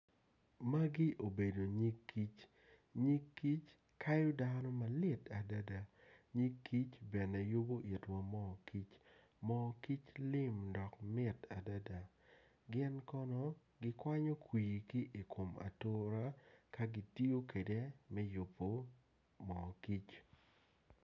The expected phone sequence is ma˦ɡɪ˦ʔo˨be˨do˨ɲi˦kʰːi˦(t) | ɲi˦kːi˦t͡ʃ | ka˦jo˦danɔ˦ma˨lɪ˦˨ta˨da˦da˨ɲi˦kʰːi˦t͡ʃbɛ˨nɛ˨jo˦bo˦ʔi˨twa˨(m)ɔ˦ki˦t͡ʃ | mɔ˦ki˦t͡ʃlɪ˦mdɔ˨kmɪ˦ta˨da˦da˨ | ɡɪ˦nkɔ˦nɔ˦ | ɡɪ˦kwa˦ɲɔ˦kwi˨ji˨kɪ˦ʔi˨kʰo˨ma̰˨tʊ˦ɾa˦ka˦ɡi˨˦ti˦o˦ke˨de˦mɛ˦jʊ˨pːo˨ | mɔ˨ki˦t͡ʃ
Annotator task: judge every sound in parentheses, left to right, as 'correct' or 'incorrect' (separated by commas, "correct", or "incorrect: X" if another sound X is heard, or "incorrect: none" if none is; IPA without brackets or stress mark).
incorrect: t͡ʃ, correct